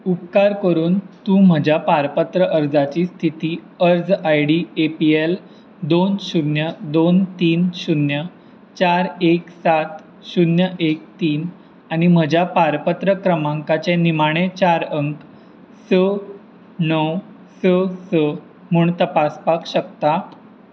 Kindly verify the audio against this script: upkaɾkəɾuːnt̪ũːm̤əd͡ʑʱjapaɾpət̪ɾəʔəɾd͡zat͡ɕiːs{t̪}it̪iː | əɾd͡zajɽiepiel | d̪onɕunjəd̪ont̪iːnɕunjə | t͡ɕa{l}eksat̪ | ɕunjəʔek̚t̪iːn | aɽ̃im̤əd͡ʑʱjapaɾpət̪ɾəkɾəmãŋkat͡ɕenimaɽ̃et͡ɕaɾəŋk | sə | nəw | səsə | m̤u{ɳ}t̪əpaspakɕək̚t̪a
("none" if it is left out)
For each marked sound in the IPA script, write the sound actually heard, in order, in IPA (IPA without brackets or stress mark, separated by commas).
t̪ʰ, ɾ, ɳ